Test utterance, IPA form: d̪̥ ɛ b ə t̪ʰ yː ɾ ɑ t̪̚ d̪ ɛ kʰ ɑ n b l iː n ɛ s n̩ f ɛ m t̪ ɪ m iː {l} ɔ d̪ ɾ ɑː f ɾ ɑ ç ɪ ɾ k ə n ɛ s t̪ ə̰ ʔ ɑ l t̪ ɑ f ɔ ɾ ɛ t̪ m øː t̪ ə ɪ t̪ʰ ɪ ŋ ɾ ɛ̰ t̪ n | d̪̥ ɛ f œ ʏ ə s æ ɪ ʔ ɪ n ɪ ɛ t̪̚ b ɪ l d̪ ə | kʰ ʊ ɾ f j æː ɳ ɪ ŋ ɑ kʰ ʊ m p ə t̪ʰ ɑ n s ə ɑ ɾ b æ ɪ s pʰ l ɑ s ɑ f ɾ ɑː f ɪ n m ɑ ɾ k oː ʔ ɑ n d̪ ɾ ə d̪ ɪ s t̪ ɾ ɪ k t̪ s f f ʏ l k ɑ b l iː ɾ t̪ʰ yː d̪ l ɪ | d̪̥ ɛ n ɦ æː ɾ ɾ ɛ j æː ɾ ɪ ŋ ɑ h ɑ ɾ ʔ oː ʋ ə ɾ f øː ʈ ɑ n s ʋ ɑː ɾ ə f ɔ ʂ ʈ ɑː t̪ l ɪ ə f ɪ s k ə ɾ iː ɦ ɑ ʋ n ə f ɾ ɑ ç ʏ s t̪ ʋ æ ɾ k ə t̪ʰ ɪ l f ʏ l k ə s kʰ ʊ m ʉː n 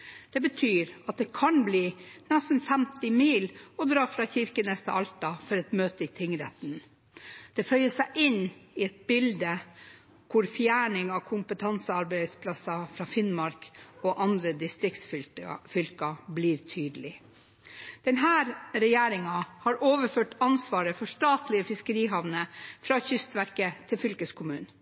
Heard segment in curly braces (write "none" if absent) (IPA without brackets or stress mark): l